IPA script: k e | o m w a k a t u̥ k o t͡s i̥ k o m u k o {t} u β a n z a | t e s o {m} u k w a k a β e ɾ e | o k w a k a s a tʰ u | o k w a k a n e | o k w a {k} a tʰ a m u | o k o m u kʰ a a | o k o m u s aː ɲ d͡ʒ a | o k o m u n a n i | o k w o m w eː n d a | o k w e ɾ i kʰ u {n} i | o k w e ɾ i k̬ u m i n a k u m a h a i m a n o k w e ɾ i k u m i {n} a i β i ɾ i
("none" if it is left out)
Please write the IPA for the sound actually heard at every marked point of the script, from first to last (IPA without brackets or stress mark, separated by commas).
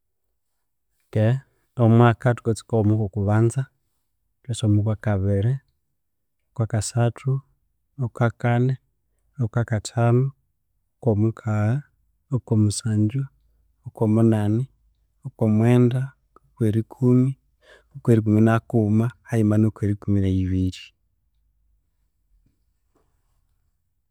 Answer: k, m, k, m, n